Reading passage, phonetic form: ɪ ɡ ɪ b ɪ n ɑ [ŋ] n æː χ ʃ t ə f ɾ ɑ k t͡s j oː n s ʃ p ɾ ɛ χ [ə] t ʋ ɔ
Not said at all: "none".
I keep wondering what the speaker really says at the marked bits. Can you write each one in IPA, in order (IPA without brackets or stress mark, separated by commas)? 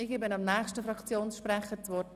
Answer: m, ə